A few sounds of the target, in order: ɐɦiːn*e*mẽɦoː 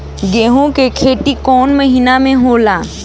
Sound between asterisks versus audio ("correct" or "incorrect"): incorrect